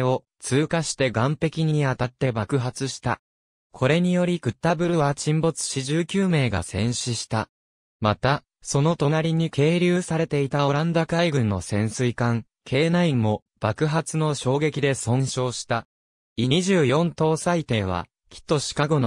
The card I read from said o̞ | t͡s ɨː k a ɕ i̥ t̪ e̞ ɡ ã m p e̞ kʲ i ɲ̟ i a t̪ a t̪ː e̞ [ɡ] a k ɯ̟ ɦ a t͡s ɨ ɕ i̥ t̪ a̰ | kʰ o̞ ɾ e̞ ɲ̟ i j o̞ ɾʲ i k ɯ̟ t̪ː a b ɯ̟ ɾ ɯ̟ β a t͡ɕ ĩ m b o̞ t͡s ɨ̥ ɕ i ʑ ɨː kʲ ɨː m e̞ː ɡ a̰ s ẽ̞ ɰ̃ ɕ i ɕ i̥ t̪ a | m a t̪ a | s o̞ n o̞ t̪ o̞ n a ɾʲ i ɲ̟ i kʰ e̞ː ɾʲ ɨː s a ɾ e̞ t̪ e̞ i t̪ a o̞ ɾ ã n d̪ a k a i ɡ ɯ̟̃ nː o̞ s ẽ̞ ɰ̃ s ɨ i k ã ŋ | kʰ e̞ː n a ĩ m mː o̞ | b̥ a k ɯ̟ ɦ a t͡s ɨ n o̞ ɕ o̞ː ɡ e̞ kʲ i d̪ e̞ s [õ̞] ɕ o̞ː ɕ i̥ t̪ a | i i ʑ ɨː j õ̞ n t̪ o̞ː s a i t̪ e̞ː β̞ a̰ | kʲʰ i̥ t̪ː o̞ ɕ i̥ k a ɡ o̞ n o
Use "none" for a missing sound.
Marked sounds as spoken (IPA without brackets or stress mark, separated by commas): b, õ̞